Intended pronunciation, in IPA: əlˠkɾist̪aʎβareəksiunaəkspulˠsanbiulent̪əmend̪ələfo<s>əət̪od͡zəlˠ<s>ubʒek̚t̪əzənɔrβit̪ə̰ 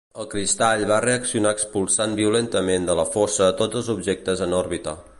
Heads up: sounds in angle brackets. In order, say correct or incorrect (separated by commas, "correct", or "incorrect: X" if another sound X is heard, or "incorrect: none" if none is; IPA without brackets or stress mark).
correct, incorrect: z